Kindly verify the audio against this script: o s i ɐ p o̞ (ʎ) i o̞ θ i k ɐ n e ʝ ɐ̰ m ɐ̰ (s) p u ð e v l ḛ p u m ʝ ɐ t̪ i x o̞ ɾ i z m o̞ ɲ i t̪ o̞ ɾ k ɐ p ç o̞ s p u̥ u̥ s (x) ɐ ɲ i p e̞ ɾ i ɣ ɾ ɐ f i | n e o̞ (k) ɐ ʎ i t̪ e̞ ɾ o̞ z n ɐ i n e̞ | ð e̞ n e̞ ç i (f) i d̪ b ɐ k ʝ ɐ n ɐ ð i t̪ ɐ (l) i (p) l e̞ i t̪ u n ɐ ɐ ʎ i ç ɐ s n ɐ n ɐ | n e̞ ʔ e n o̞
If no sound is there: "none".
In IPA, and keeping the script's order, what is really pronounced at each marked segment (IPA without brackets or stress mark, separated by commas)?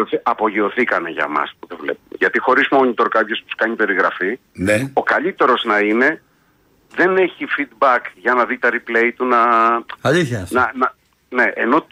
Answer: ʝ, s, k, k, f, ɾ, p